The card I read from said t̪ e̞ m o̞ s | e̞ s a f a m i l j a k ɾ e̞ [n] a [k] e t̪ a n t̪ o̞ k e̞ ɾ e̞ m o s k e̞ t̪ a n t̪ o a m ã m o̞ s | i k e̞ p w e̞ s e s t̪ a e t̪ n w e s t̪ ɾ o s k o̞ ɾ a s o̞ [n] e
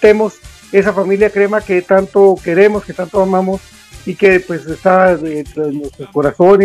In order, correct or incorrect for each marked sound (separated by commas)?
incorrect, correct, correct